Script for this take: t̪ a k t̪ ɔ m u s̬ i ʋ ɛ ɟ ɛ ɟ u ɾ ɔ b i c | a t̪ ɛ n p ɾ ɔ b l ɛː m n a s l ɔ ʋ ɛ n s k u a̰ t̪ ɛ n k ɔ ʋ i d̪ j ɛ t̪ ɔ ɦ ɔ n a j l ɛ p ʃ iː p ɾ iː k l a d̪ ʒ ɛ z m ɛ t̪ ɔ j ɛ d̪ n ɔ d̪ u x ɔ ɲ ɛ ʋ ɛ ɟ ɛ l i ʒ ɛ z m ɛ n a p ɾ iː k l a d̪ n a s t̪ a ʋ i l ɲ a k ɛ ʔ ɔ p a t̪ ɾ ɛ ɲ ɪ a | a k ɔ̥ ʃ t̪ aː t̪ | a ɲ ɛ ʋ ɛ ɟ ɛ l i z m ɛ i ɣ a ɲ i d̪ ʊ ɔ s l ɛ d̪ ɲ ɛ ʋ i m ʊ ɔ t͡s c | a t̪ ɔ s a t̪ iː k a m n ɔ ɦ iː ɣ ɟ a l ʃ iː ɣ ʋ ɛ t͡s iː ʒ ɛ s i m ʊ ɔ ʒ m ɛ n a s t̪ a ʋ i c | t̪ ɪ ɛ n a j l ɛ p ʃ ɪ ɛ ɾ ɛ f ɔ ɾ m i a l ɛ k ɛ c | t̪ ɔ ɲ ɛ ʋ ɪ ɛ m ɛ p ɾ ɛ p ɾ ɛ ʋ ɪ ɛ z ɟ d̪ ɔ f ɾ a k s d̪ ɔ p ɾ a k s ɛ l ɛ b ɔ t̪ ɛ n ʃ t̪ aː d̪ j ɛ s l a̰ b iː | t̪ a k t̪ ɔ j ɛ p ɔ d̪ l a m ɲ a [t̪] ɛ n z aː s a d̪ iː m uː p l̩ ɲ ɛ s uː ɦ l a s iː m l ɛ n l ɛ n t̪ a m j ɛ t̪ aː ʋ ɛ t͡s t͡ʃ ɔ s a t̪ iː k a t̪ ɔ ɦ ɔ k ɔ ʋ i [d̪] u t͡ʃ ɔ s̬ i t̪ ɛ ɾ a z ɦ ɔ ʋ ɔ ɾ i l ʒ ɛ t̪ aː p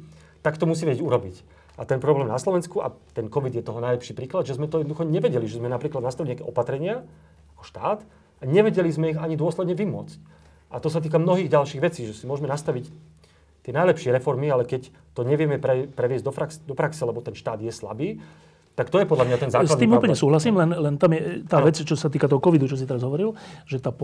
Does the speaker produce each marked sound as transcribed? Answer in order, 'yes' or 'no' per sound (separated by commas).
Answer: yes, yes